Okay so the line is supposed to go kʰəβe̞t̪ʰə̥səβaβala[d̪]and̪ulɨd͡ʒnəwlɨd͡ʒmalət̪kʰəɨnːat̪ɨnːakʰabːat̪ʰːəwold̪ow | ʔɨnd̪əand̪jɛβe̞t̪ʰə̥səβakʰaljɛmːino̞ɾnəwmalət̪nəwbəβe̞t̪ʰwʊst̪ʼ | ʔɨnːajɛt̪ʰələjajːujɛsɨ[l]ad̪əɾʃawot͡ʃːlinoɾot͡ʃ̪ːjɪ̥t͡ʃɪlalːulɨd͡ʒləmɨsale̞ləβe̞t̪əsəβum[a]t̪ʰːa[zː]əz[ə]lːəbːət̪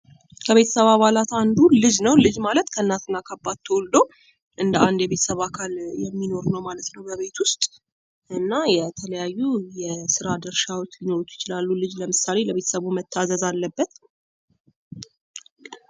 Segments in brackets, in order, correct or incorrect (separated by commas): incorrect, incorrect, incorrect, incorrect, incorrect